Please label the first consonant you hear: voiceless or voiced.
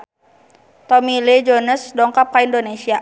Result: voiceless